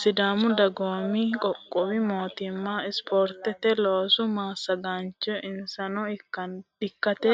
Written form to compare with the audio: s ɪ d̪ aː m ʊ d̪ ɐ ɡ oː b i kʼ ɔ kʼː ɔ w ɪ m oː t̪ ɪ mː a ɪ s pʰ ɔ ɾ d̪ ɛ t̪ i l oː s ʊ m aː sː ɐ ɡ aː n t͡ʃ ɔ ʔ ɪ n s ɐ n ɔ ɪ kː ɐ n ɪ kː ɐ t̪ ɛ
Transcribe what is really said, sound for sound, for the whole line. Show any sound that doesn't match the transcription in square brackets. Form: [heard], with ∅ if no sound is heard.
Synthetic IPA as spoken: s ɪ d̪ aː m ʊ d̪ ɐ ɡ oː [m] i kʼ ɔ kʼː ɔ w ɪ m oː t̪ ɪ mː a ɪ s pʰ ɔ ɾ [t̪] ɛ t̪ [ɛ] l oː s ʊ m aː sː ɐ ɡ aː n t͡ʃ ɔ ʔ ɪ n s ɐ n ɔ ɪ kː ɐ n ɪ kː ɐ t̪ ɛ